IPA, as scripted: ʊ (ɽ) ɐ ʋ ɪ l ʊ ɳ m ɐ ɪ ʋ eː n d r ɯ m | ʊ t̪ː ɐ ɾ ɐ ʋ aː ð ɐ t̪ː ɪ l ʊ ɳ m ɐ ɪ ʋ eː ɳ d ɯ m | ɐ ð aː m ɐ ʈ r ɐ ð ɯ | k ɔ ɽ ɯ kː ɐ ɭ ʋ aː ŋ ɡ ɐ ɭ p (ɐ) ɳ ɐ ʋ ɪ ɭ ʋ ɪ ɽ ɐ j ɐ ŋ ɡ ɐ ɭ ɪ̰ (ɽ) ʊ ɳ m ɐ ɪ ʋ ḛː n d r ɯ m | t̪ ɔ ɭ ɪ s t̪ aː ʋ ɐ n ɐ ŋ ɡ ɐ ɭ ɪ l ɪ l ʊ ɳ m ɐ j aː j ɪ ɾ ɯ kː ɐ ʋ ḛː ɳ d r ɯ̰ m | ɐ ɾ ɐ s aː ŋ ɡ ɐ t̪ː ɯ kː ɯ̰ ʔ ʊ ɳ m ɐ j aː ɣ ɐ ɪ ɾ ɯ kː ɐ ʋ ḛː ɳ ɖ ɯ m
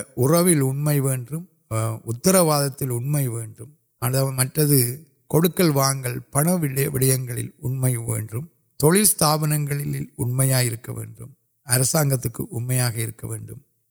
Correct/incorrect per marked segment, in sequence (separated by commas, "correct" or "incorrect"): incorrect, correct, incorrect